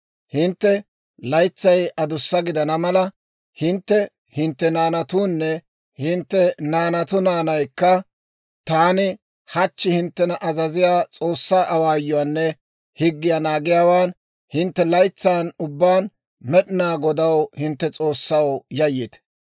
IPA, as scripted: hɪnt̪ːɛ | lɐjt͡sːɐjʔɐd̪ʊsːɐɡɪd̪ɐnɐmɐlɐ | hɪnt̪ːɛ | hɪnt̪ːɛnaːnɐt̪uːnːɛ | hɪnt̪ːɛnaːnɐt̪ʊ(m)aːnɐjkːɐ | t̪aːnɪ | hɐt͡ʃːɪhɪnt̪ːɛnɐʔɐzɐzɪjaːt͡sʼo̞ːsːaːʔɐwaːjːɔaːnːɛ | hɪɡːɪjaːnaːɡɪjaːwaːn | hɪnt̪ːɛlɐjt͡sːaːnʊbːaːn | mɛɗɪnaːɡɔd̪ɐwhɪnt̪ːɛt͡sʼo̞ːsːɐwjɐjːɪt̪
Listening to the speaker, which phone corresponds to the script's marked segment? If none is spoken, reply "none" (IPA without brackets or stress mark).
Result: n